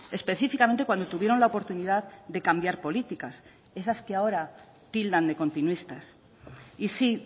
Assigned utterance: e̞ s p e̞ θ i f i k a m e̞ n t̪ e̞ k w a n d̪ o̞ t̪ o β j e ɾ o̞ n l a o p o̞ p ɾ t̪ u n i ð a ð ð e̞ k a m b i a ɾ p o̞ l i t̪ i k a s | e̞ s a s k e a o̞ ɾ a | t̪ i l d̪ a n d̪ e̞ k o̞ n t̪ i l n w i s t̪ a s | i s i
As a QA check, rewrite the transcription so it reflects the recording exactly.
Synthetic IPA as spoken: e̞ s p e̞ θ i f i k a m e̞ n t̪ e̞ k w a n d̪ o̞ t̪ u β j e ɾ o̞ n l a o p o̞ ɾ t̪ u n i ð a ð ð e̞ k a m b j a ɾ p o̞ l i t̪ i k a s | e̞ s a s k e a o̞ ɾ a | t̪ i l d̪ a n d̪ e̞ k o̞ n t̪ i n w i s t̪ a s | i s i